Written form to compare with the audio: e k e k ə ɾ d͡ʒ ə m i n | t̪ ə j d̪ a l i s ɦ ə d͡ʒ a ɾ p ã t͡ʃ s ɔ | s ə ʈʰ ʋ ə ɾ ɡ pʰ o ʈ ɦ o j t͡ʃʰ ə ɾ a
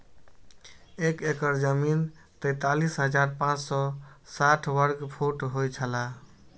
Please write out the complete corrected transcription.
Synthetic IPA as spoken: e k e k ə ɾ d͡ʒ ə m i n | t̪ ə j t̪ a l i s ɦ ə d͡ʒ a ɾ p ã t͡ʃ s ɔ | s a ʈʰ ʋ ə ɾ ɡ pʰ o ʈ ɦ o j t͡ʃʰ ə l a